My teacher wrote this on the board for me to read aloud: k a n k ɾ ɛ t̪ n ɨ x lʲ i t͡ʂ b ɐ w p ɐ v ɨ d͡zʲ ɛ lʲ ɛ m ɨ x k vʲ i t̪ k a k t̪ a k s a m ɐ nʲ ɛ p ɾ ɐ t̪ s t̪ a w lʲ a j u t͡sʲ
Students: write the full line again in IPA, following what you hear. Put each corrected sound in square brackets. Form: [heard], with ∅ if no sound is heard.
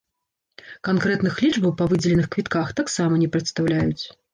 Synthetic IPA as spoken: k a n k ɾ ɛ t̪ n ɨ x lʲ i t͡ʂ b ɐ w p ɐ v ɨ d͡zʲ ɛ lʲ ɛ [n] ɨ x k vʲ i t̪ k a [x] t̪ a k s a m ɐ nʲ ɛ p ɾ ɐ t̪ s t̪ a w lʲ a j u t͡sʲ